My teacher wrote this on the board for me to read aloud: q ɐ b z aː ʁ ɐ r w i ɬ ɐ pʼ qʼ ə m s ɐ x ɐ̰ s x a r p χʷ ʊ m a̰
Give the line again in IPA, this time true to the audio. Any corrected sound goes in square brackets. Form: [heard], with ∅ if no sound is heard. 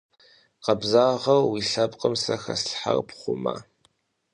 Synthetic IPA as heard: q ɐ b z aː ʁ ɐ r w i ɬ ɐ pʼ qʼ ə m s ɐ x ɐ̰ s [ħ] a r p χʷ ʊ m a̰